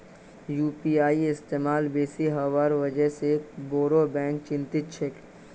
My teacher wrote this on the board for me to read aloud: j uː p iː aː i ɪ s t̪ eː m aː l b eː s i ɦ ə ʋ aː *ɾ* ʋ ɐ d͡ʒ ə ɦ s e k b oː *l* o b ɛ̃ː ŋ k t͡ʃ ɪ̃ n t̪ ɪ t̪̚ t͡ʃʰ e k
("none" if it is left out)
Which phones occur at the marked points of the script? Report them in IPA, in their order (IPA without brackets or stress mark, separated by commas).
ɾ, ɾ